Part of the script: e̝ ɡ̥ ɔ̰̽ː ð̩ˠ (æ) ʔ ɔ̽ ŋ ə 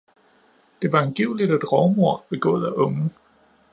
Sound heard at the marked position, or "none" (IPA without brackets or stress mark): æ